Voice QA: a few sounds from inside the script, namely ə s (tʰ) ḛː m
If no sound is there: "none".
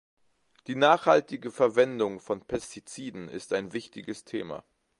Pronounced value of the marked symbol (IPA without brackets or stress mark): tʰ